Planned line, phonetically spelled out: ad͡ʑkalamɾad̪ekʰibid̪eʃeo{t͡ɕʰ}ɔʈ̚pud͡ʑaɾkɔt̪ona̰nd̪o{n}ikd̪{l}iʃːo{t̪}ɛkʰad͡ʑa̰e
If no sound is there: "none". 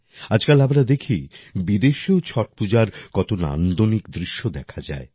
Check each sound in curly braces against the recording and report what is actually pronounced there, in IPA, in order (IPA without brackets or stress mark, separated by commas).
t͡ɕʰ, n, ɾ, d̪